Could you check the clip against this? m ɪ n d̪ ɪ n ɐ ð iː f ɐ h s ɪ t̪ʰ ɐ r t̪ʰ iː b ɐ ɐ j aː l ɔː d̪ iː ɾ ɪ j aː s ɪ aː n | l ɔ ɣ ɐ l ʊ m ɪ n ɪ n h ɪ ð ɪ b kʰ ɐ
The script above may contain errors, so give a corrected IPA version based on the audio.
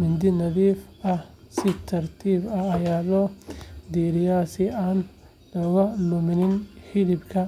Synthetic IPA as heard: m ɪ n d̪ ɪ n ɐ ð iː f ɐ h s ɪ t̪ʰ ɐ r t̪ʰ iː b ɐ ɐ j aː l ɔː d̪ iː ɾ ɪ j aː s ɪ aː n | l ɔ ɣ ɐ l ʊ m ɪ n ɪ n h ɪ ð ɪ b kʰ ɐ